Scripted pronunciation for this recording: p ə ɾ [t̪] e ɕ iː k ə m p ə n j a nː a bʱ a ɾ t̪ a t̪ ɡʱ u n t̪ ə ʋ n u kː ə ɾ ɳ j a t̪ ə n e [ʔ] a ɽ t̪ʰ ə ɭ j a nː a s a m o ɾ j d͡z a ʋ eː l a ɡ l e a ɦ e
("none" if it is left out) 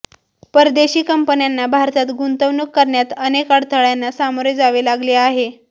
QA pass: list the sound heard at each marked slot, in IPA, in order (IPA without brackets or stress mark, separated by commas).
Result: d̪, k